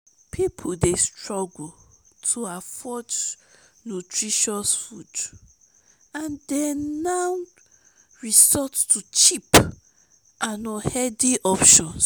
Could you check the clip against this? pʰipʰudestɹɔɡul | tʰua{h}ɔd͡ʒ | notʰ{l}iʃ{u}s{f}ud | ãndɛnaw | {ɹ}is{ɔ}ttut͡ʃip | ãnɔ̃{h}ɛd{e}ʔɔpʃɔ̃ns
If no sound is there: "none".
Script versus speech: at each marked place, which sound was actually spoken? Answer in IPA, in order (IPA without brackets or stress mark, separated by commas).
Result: f, ɹ, ɔ, f, ɹ, ɔ, h, i